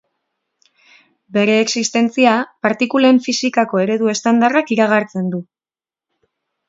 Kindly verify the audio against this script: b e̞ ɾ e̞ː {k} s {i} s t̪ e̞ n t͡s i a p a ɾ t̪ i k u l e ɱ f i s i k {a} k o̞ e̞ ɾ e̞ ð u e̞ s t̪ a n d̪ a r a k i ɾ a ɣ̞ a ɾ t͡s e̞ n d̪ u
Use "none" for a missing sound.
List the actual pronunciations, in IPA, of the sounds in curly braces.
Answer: k, i, a

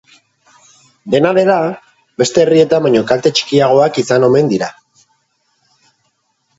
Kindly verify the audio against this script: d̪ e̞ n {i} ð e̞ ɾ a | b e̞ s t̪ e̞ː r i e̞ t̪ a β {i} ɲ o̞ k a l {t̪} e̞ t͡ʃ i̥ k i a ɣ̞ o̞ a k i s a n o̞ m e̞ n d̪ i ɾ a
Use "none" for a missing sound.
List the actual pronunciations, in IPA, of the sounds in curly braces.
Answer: a, a, t̪

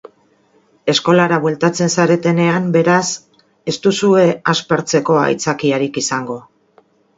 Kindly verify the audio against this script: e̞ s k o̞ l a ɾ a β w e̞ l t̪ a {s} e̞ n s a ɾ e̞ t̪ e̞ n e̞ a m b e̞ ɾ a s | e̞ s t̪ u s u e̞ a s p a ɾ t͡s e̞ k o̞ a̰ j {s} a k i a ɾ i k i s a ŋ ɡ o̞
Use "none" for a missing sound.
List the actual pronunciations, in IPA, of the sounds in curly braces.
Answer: t͡s, t͡s

